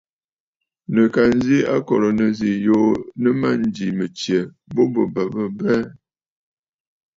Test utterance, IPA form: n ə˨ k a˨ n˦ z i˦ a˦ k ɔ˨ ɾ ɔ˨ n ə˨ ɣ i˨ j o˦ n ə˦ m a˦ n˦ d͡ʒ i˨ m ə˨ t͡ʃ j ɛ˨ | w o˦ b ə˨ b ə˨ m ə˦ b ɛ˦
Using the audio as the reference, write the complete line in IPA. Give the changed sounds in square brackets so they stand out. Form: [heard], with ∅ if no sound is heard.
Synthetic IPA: n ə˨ k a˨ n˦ z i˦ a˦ k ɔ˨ ɾ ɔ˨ n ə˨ [z] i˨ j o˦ n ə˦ m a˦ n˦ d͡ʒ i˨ m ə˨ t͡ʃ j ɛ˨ | [b] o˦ b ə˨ b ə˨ [b] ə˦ b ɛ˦

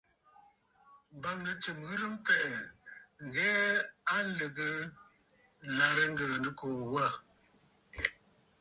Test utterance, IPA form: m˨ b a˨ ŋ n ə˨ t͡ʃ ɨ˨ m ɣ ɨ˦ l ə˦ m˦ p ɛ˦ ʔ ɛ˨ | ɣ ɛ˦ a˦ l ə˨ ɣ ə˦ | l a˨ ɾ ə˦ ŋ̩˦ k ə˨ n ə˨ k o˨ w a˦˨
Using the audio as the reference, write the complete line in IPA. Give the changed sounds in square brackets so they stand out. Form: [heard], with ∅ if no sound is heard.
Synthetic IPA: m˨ b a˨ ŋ n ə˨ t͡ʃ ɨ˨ m ɣ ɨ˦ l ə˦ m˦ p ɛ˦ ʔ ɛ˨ | ɣ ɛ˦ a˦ l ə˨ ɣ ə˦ | l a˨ ɾ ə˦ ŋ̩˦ [ɡ] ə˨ n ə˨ k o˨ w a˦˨

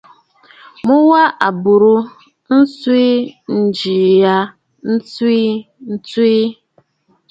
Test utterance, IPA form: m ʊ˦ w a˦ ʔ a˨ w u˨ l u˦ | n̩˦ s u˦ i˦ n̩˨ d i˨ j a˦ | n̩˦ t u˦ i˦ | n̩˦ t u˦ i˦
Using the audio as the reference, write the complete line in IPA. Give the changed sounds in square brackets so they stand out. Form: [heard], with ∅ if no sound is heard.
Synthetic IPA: m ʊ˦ w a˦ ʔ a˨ [b] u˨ [ɾ] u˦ | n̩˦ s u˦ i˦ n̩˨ [d͡ʒ] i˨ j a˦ | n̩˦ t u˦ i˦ | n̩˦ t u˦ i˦

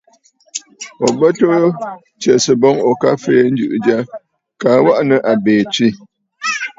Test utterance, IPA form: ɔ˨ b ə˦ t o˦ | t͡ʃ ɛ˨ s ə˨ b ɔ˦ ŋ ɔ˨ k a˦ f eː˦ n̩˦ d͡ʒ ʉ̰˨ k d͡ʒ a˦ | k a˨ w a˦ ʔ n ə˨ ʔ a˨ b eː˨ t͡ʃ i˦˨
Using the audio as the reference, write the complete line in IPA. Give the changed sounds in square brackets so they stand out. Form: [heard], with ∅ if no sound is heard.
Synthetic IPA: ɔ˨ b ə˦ t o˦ | t͡ʃ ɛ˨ s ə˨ b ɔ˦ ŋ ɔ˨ k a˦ f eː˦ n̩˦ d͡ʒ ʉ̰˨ [ʔ] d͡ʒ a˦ | k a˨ w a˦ ʔ n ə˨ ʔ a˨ b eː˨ t͡ʃ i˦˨

